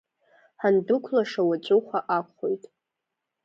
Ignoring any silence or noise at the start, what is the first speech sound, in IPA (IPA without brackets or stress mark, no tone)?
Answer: ħ